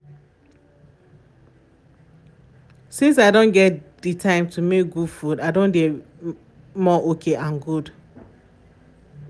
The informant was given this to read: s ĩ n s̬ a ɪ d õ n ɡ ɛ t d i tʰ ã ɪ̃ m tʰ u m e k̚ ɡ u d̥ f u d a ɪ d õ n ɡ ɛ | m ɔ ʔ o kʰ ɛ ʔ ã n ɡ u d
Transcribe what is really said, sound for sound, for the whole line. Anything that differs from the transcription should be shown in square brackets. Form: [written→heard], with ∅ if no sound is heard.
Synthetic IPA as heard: s ĩ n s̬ a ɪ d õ n ɡ ɛ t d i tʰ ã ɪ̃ m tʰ u m e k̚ ɡ u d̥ f u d a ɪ d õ n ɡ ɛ | m ɔ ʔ o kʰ [ɛ→e] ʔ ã n ɡ u d